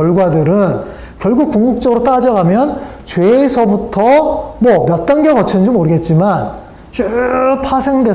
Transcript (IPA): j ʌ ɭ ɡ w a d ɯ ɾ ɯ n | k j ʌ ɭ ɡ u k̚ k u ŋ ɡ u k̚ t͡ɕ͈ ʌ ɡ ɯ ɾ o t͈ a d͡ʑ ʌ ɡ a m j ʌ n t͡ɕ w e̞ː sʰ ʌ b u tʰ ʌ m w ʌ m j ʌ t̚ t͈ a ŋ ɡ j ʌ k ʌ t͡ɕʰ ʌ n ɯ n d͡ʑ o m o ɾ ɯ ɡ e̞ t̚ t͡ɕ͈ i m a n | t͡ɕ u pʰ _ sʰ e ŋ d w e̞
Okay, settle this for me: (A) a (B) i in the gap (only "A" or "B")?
A